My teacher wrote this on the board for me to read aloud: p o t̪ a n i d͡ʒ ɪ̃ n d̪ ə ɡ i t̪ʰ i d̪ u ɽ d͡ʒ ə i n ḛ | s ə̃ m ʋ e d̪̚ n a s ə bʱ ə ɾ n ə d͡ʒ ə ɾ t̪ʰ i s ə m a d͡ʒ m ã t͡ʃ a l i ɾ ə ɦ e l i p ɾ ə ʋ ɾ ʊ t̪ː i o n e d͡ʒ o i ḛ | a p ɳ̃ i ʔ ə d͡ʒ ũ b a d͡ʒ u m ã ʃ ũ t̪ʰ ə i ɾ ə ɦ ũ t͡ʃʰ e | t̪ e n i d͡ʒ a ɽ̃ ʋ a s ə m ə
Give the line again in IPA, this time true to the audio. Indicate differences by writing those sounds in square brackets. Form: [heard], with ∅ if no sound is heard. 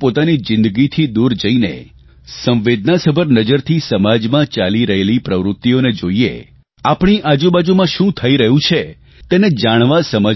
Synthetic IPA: p o t̪ a n i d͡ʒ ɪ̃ n d̪ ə ɡ i t̪ʰ i d̪ u [ɾ] d͡ʒ ə i n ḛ | s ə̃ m ʋ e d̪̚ n a s ə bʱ ə ɾ n ə d͡ʒ ə ɾ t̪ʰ i s ə m a d͡ʒ m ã t͡ʃ a l i ɾ ə ɦ e l i p ɾ ə ʋ ɾ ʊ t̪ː i o n e d͡ʒ o i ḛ | a p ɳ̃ i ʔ [a] d͡ʒ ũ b a d͡ʒ u m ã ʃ ũ t̪ʰ ə i ɾ ə ɦ ũ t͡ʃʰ e | t̪ e n [e] d͡ʒ a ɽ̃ ʋ a s ə m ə

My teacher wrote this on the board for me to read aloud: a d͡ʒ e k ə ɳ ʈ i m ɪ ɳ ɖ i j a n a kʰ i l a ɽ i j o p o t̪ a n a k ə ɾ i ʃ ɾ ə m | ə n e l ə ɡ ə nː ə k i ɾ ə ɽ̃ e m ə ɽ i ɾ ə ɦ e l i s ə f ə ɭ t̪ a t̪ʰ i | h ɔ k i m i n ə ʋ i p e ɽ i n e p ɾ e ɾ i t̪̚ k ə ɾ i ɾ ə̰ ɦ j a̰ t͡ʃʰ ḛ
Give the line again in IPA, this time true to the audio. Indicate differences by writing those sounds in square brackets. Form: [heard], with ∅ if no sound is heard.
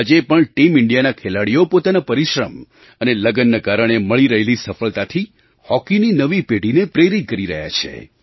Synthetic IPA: a d͡ʒ e [p] ə ɳ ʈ i m ɪ ɳ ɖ i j a n a kʰ [e] l a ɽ i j o p o t̪ a n a [p] ə ɾ i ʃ ɾ ə m | ə n e l ə ɡ ə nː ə k [a] ɾ ə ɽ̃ e m ə [ɭ] i ɾ ə ɦ e l i s ə f ə ɭ t̪ a t̪ʰ i | h ɔ k i [n] i n ə ʋ i p e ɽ i n e p ɾ e ɾ i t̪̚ k ə ɾ i ɾ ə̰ ɦ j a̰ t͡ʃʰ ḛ

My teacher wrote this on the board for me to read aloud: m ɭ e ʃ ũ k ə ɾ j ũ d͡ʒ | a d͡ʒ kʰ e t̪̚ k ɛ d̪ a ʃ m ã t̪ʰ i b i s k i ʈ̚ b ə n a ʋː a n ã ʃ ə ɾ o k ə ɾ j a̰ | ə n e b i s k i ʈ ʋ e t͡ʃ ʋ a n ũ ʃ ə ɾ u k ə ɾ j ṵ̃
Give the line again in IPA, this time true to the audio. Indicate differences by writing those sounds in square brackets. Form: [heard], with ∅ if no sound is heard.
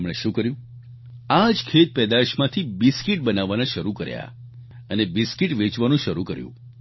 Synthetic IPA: m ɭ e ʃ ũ k ə ɾ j ũ [∅] | a d͡ʒ kʰ e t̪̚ [p] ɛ d̪ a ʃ m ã t̪ʰ i b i s k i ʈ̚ b ə n a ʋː a n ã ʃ ə ɾ [u] k ə ɾ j a̰ | ə n e b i s k i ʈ ʋ e t͡ʃ ʋ a n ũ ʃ ə ɾ u k ə ɾ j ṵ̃

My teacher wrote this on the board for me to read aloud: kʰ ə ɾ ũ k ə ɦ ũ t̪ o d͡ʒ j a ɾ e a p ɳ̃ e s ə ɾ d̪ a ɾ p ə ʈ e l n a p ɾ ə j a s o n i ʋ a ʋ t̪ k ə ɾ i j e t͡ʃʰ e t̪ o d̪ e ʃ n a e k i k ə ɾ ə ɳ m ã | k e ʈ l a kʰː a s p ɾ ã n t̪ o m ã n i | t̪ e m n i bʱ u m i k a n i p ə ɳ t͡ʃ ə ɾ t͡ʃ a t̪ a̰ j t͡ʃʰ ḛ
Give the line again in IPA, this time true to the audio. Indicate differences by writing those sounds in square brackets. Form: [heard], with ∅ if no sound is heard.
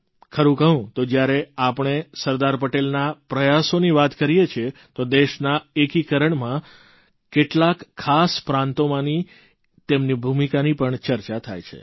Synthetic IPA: kʰ ə ɾ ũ k ə ɦ ũ t̪ o d͡ʒ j a ɾ e a p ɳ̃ e s ə ɾ d̪ a ɾ p ə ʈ e l n a p ɾ ə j a s o n i ʋ a [∅] t̪ k ə ɾ i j e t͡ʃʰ e t̪ o d̪ e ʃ n a e k i k ə ɾ ə ɳ m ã | k e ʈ l a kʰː a s p ɾ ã n t̪ o m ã n i | t̪ e m n i bʱ u m i k a n i p ə ɳ t͡ʃ ə ɾ t͡ʃ a [t̪ʰ] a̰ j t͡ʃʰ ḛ

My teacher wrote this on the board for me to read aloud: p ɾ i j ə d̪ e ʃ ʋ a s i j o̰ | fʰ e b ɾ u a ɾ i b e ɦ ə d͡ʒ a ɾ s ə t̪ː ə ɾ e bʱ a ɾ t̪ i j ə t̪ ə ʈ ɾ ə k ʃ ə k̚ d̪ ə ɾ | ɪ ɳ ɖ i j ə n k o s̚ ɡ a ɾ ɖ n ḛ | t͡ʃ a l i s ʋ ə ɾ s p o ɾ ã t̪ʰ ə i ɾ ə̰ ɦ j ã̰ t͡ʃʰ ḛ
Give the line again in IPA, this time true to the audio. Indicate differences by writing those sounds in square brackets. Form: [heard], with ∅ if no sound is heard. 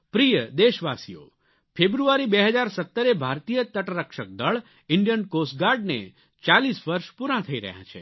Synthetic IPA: p ɾ i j ə d̪ e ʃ ʋ a s i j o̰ | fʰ e b ɾ u a ɾ i b e ɦ ə d͡ʒ a ɾ s ə t̪ː ə ɾ e bʱ a ɾ t̪ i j ə t̪ ə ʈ ɾ ə k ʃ ə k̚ d̪ ə [ɭ] | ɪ ɳ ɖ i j ə n k o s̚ ɡ a ɾ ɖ n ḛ | t͡ʃ a l i s ʋ ə ɾ [ʃ] p [u] ɾ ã t̪ʰ ə i ɾ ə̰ ɦ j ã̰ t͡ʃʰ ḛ

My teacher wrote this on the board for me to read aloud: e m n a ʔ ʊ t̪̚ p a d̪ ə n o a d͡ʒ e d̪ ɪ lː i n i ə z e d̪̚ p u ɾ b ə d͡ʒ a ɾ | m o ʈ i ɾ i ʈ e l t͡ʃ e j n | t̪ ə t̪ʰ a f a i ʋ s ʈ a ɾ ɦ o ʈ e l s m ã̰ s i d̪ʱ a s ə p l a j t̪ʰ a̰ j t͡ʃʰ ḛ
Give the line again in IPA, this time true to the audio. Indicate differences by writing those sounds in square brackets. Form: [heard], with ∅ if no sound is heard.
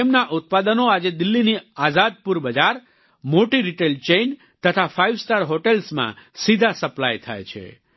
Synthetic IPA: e m n a ʔ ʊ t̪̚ p a d̪ ə n o a d͡ʒ e d̪ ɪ lː i n i [a] z [a] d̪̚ p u ɾ b ə d͡ʒ a ɾ | m o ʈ i ɾ i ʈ e l t͡ʃ e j n | t̪ ə t̪ʰ a f a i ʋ s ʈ a ɾ ɦ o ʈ e l s m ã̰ s i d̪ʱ a s ə p l a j t̪ʰ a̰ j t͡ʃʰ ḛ

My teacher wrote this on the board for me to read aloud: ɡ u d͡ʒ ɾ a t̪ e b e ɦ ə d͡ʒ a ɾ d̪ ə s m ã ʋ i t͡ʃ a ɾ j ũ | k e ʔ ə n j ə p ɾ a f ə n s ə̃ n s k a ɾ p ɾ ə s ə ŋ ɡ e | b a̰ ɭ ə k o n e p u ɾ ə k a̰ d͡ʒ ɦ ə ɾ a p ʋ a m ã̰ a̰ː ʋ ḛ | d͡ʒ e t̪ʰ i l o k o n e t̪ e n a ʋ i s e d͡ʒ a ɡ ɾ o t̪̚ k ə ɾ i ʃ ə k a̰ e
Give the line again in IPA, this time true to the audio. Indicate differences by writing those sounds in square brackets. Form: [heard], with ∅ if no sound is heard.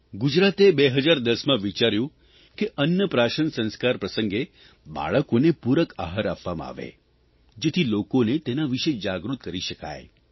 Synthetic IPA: ɡ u d͡ʒ ɾ a t̪ e b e ɦ ə d͡ʒ a ɾ d̪ ə s m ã ʋ i t͡ʃ a ɾ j ũ | k e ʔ ə n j ə p ɾ a [ʃ] ə n s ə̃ n s k a ɾ p ɾ ə s ə ŋ ɡ e | b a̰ ɭ ə k o n e p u ɾ ə k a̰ [∅] ɦ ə ɾ a p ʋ a m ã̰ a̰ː ʋ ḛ | d͡ʒ e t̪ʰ i l o k o n e t̪ e n a ʋ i [ʃ] e d͡ʒ a ɡ ɾ [u] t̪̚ k ə ɾ i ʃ ə k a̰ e

